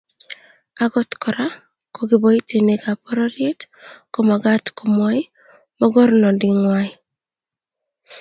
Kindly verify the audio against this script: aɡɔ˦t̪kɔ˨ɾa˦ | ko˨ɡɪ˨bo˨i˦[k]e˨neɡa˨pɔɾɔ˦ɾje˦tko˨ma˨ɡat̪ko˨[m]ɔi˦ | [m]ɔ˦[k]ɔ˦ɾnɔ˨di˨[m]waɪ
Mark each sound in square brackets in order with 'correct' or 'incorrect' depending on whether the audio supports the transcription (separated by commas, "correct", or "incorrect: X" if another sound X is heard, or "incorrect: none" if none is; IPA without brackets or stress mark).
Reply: incorrect: t, correct, correct, incorrect: ɡ, incorrect: ŋ